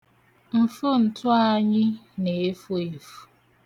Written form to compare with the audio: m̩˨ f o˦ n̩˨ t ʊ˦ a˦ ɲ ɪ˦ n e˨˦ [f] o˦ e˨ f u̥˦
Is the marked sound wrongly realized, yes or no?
no